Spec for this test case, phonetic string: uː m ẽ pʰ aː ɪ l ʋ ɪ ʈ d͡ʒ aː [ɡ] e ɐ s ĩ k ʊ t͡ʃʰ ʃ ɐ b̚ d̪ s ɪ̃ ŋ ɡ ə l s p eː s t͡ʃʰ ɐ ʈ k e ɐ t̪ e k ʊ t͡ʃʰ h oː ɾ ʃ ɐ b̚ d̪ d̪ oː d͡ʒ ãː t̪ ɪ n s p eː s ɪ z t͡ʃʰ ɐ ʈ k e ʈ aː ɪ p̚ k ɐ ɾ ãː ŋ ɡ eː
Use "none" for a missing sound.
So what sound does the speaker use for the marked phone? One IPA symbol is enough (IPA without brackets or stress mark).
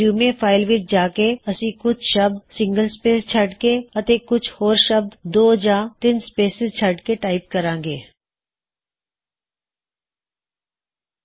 k